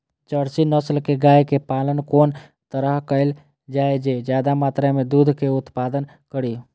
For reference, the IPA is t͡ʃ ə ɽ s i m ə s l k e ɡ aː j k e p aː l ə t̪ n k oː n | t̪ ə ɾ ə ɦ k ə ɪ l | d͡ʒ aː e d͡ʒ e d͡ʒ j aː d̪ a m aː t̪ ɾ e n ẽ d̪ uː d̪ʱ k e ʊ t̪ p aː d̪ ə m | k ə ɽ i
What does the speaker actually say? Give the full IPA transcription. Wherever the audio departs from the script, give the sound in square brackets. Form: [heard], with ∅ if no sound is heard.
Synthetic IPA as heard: t͡ʃ ə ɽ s i [n] ə s l k e ɡ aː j k e p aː l ə [∅] n k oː n | t̪ ə ɾ ə ɦ k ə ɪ l | d͡ʒ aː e d͡ʒ e d͡ʒ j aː d̪ a m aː t̪ ɾ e [m] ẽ d̪ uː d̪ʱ k e ʊ t̪ p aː d̪ ə [n] | k ə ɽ i